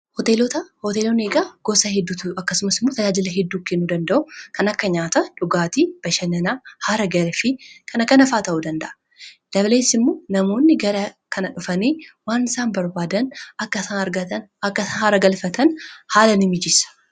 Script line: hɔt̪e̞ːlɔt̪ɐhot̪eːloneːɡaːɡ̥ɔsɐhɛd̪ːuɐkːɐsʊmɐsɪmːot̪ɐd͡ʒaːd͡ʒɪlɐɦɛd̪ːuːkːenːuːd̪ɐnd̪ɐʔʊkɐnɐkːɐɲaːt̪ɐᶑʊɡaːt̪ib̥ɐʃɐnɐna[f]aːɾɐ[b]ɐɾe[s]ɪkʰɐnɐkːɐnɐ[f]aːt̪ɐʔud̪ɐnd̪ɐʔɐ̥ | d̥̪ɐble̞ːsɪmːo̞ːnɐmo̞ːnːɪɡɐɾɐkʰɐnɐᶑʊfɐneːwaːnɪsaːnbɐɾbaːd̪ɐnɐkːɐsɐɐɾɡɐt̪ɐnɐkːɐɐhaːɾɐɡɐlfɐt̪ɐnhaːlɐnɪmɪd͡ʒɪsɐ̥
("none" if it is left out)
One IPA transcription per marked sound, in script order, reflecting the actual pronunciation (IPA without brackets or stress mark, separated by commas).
h, ɡ, f, f